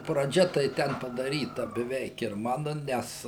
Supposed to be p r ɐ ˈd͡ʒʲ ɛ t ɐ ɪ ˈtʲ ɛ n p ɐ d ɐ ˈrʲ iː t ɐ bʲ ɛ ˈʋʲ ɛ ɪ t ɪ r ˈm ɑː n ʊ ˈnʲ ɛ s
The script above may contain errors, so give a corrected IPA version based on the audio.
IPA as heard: p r ɐ ˈd͡ʒʲ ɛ t ɐ ɪ ˈtʲ ɛ n p ɐ d ɐ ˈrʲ iː t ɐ bʲ ɛ ˈʋʲ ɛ ɪ k ɪ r ˈm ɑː n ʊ ˈnʲ ɛ s